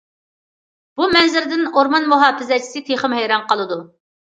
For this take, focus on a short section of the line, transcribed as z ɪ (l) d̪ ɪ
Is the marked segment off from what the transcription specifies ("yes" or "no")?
yes